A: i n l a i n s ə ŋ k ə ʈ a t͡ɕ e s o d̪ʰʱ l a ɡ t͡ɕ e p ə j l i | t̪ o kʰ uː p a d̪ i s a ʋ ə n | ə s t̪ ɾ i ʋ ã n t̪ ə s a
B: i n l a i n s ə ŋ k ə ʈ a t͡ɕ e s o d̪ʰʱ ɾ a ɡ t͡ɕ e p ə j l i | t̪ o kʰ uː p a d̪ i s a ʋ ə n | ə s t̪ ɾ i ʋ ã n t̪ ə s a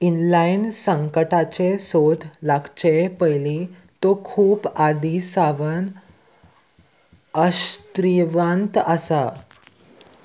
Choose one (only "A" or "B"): A